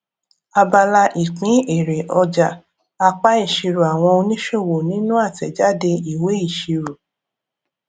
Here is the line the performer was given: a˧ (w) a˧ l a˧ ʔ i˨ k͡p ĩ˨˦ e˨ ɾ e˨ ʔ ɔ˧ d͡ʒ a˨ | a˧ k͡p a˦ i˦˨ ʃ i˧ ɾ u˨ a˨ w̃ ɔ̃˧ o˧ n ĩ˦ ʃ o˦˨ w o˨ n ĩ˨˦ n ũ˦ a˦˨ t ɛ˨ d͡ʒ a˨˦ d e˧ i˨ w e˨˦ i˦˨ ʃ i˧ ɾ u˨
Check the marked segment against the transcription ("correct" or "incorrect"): incorrect